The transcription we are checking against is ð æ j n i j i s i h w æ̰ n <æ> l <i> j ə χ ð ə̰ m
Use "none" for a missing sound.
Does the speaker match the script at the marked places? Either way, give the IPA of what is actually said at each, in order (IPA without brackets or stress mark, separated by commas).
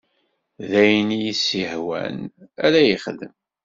æ, æ